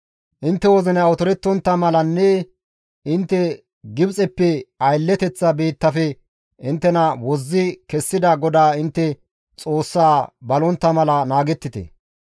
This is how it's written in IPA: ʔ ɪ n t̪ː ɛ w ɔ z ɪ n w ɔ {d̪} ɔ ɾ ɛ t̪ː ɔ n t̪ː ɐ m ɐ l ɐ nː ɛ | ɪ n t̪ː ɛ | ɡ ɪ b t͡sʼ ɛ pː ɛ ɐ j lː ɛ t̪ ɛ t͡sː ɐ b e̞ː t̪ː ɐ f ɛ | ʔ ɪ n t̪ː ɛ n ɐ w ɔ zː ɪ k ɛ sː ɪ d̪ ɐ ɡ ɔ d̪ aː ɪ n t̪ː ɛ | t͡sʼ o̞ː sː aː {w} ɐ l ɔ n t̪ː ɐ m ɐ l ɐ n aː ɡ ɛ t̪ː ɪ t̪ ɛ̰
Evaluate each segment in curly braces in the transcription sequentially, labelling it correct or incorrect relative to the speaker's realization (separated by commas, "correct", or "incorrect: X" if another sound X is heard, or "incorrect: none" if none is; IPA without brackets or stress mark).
incorrect: t̪, incorrect: b